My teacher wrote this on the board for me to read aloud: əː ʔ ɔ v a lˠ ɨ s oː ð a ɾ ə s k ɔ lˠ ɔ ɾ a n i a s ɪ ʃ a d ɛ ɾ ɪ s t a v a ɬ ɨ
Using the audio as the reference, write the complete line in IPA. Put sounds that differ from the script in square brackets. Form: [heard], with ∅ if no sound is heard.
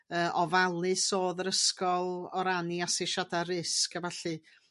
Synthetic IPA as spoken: əː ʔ ɔ v a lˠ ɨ s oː ð [ə] ɾ ə s k ɔ lˠ ɔ ɾ a n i a s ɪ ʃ a d [a] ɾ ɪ s [k] a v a ɬ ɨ